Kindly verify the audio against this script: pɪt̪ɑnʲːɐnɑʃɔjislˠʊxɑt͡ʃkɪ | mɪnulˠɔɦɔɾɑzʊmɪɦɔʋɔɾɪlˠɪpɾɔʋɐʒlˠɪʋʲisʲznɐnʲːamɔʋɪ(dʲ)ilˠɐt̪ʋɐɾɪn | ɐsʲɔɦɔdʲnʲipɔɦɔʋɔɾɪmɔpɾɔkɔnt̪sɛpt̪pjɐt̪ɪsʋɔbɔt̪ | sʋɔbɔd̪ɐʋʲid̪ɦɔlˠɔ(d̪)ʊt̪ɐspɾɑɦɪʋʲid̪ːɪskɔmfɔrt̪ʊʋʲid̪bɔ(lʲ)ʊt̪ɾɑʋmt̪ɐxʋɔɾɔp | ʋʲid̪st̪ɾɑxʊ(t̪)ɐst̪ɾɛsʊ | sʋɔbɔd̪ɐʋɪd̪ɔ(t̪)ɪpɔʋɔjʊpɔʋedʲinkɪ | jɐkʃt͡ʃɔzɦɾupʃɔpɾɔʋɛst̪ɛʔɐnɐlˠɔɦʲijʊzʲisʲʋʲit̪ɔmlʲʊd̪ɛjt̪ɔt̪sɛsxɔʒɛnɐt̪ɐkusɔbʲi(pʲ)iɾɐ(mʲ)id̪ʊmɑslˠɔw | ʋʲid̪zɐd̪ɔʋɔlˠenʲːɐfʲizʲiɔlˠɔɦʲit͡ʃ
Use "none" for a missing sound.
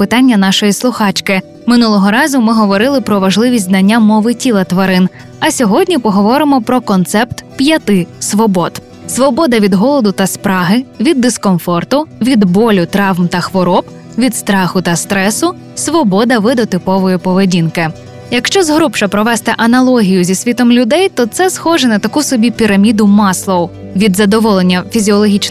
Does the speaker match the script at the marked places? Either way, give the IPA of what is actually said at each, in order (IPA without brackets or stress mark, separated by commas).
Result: tʲ, d̪, lʲ, t̪, t̪, pʲ, mʲ